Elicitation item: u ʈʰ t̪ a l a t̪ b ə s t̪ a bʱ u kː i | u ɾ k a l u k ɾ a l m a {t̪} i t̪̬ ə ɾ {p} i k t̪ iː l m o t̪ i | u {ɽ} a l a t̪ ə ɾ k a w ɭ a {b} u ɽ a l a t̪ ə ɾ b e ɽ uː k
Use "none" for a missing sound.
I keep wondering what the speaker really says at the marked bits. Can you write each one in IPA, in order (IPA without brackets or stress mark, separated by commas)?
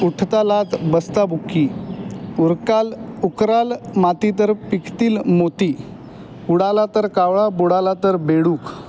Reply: t̪, p, ɽ, b